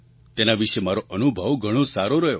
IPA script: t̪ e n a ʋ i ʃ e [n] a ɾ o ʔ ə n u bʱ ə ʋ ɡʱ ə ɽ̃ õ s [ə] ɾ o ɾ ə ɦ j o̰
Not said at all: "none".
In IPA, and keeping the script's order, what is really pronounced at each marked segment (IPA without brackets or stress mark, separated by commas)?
m, a